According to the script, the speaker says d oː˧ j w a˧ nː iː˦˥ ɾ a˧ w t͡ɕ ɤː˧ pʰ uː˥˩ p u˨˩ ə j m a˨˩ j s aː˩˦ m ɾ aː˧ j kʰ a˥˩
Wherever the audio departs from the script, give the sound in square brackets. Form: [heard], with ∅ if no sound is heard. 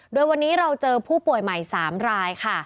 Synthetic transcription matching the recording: d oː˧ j w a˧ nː iː˦˥ ɾ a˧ w t͡ɕ ɤː˧ pʰ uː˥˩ p u˨˩ ə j m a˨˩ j s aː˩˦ m ɾ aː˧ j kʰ a˥˩